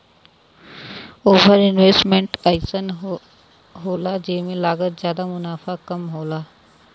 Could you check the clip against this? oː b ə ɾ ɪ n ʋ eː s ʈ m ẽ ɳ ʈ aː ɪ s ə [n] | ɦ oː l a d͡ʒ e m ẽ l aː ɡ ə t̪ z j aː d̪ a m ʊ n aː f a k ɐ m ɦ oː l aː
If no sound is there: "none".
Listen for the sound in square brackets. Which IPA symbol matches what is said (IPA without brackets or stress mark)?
n